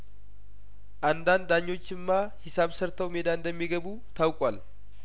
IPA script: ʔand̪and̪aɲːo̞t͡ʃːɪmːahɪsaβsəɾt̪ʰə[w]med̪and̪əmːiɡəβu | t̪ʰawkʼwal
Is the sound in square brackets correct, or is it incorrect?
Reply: correct